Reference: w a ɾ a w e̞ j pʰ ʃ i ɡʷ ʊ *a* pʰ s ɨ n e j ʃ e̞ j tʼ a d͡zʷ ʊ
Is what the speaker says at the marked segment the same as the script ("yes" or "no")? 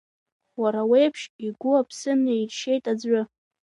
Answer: yes